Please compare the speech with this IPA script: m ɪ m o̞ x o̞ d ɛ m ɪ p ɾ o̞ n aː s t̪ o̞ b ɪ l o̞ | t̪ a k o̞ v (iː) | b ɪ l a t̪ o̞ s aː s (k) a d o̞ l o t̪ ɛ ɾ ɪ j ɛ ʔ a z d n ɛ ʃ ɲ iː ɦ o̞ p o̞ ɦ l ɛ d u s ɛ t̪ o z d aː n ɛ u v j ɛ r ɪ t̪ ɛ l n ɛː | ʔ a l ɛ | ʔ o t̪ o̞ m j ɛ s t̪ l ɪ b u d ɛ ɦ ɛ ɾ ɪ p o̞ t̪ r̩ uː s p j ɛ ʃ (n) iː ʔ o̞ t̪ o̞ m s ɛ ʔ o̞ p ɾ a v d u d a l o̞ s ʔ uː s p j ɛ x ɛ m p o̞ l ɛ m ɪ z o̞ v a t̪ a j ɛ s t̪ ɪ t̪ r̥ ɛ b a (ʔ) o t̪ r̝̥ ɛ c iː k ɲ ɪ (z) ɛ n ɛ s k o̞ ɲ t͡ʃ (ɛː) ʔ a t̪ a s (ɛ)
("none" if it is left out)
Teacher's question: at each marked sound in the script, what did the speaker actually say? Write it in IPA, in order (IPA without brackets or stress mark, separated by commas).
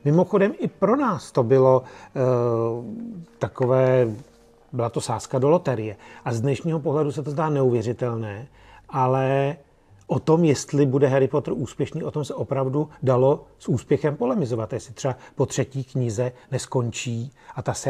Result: ɛː, k, n, p, z, iː, ɛ